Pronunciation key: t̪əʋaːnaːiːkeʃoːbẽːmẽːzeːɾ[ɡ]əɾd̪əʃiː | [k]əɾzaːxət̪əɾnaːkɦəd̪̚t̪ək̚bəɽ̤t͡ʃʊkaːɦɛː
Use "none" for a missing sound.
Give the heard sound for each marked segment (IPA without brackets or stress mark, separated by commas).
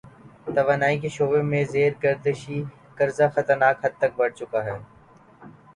ɡ, k